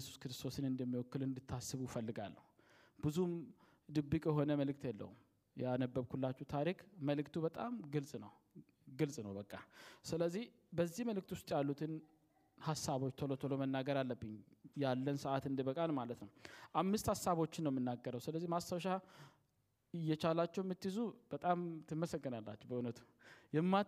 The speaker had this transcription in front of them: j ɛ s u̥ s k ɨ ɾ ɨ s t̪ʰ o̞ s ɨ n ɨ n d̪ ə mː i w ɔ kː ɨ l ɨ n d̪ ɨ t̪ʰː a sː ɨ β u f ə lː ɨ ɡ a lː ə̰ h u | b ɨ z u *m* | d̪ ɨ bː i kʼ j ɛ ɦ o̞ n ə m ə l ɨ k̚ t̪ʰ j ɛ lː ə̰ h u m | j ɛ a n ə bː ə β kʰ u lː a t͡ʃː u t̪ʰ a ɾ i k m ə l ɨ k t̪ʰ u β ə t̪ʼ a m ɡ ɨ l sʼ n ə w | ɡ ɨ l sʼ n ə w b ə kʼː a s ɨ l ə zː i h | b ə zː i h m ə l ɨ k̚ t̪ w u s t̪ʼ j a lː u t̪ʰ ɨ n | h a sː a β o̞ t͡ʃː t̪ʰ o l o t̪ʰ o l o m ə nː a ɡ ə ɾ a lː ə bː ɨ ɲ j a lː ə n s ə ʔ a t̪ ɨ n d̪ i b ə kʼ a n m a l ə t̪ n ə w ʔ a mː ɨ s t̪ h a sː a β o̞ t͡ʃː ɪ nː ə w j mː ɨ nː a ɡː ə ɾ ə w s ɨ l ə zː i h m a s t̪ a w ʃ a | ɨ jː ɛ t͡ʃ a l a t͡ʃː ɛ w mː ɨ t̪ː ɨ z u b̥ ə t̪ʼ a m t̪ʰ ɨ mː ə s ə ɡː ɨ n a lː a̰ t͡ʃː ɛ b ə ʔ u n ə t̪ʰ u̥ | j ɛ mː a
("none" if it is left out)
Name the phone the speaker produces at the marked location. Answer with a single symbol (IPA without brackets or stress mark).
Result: m